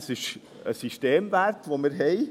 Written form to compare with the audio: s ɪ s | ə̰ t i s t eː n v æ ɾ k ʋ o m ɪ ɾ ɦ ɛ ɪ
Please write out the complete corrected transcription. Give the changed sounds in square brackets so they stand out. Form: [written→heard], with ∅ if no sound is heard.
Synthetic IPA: s ɪ [s→ʃ] | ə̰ [t→s] i [s→ʃ] t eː [n→m] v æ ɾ [k→t] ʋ o m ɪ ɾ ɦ ɛ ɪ